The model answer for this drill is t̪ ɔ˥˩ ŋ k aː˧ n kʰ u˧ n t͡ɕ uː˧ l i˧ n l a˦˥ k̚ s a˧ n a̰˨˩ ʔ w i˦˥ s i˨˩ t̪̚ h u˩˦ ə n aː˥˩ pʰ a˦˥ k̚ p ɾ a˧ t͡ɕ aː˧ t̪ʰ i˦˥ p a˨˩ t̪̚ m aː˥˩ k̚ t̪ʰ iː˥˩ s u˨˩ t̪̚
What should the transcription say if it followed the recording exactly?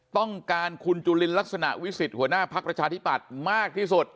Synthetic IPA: t̪ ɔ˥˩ ŋ k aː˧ n kʰ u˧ n t͡ɕ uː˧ l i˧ n l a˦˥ k̚ s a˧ n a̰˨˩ ʔ w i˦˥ s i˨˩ t̪̚ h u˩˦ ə n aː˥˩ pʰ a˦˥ k̚ p ɾ a˧ t͡ɕʰ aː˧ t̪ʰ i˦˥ p a˨˩ t̪̚ m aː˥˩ k̚ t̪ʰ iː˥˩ s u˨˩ t̪̚